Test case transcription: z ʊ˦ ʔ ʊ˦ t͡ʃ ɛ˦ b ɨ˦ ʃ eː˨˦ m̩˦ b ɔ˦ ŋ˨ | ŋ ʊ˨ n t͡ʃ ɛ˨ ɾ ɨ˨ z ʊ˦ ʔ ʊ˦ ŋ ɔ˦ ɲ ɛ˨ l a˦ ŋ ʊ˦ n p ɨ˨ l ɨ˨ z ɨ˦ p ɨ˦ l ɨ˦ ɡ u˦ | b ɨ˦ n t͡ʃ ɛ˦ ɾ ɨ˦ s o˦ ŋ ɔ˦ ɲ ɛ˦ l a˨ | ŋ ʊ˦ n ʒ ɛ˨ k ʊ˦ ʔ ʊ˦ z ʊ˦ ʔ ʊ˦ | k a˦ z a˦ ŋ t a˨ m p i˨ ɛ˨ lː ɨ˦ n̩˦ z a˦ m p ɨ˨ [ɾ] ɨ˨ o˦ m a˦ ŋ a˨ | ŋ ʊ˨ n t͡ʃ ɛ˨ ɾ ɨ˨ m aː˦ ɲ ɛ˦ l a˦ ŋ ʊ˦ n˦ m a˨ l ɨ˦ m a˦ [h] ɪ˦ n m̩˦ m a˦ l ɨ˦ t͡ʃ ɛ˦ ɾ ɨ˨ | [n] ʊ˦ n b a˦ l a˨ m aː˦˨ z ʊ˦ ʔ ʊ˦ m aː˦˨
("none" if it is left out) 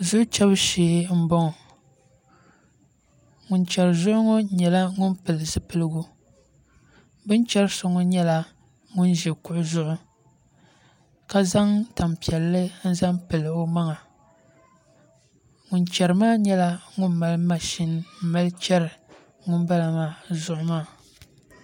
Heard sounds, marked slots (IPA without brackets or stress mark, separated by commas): l, ʃ, ŋ